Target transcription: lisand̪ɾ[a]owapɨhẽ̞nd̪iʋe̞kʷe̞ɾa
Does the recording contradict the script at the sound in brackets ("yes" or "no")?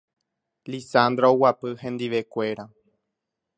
no